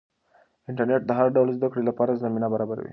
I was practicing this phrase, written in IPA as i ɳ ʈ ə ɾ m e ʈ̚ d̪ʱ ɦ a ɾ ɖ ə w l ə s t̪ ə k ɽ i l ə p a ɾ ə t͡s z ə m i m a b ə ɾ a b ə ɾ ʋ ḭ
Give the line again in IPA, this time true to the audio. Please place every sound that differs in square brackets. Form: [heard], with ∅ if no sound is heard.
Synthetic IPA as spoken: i ɳ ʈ ə ɾ [n] e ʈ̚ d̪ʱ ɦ a ɾ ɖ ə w l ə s [d̪] ə k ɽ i l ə p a ɾ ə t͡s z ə m i [n] a b ə ɾ a b ə ɾ ʋ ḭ